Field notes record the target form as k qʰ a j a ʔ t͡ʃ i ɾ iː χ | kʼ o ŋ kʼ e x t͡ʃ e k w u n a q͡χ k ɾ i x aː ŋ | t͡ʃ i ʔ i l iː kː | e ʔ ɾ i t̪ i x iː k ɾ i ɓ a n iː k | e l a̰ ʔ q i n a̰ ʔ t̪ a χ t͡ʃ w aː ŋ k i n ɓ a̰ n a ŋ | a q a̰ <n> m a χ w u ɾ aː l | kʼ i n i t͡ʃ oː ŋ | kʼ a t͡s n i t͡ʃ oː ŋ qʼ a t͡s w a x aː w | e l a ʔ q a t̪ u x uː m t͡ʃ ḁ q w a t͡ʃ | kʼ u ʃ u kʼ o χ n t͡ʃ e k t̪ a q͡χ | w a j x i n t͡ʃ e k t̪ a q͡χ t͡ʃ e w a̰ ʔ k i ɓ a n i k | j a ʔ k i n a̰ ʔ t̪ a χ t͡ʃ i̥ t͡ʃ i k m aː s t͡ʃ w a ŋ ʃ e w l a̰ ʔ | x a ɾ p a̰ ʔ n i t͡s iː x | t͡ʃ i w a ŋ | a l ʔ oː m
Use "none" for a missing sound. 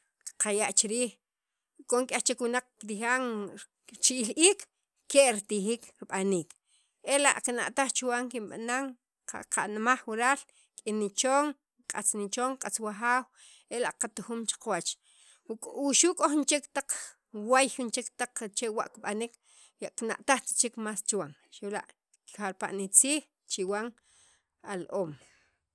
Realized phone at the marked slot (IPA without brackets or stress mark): n